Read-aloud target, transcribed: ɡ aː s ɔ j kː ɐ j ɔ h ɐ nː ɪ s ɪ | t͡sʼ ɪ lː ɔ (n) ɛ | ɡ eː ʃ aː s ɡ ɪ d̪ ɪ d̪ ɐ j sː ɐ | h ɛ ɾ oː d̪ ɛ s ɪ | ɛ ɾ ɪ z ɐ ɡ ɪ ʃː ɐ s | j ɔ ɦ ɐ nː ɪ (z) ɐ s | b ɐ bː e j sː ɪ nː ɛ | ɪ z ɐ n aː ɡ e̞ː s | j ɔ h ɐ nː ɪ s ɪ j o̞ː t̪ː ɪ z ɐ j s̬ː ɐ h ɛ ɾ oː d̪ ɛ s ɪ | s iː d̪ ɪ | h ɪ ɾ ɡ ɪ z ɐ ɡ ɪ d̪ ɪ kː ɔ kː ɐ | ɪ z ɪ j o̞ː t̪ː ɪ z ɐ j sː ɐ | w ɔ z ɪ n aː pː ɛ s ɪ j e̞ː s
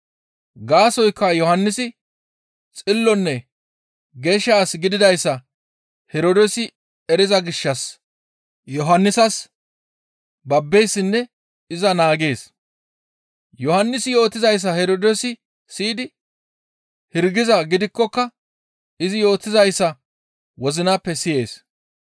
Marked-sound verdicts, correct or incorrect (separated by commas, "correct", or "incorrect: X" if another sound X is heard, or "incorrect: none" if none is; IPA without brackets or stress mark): incorrect: nː, incorrect: s